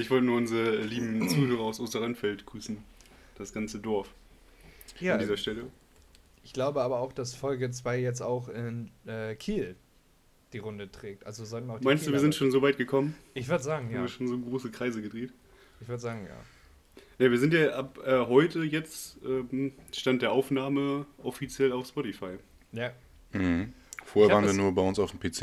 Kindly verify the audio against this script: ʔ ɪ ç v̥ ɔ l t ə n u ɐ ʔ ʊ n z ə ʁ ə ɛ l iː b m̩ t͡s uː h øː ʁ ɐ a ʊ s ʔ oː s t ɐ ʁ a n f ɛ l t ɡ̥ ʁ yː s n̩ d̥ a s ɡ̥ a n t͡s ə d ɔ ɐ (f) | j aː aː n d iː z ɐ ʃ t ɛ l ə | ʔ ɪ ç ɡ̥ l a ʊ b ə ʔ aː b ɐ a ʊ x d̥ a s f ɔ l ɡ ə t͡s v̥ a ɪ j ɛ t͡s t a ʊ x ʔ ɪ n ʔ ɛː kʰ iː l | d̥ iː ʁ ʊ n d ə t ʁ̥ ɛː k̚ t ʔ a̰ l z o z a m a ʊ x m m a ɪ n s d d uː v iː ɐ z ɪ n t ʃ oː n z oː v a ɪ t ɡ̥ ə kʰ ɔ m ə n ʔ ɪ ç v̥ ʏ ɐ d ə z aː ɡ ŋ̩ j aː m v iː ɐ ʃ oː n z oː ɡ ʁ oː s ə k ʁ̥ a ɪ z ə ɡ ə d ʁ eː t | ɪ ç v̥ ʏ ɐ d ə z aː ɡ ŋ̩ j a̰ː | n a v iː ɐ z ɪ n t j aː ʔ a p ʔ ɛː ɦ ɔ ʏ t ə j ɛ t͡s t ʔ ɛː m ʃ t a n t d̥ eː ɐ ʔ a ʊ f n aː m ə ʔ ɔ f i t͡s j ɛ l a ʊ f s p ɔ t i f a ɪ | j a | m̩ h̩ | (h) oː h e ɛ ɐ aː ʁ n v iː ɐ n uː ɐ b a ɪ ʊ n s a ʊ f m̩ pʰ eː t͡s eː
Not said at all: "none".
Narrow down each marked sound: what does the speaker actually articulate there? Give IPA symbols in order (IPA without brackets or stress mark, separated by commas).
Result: f, f